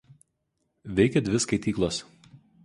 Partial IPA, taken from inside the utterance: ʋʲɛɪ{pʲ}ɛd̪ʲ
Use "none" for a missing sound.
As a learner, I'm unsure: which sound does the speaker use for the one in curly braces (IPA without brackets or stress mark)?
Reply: kʲ